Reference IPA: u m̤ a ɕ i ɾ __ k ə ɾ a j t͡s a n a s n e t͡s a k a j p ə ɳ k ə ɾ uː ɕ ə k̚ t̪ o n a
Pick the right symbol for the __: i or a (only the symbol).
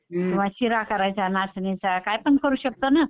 a